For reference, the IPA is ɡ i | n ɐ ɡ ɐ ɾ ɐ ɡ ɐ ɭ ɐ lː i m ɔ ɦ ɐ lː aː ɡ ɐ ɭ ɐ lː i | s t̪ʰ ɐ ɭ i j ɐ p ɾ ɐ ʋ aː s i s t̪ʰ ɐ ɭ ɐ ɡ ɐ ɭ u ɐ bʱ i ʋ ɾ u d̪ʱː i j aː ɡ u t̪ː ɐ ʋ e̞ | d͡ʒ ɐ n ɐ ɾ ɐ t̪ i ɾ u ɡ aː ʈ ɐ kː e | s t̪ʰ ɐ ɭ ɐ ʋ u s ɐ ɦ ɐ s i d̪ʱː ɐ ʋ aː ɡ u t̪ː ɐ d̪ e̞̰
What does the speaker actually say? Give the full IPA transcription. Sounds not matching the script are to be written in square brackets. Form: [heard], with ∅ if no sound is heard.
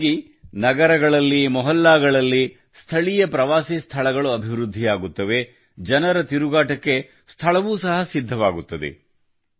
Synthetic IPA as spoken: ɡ i | n ɐ ɡ ɐ ɾ ɐ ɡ ɐ ɭ ɐ lː i m ɔ ɦ ɐ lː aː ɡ ɐ ɭ ɐ lː i | s t̪ʰ ɐ ɭ i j ɐ p ɾ ɐ ʋ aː s i s t̪ʰ ɐ ɭ ɐ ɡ ɐ ɭ u ɐ bʱ i ʋ ɾ u d̪ʱː i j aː ɡ u t̪ː ɐ ʋ e̞ | d͡ʒ ɐ n ɐ ɾ ɐ t̪ i ɾ u ɡ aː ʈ ɐ kː e | s t̪ʰ ɐ ɭ ɐ ʋ [uː] s ɐ ɦ ɐ s i d̪ʱː ɐ ʋ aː ɡ u t̪ː ɐ d̪ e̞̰